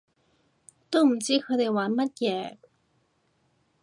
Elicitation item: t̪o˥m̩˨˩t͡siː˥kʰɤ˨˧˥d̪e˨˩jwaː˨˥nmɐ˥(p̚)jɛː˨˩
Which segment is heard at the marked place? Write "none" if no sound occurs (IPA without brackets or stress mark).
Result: t̚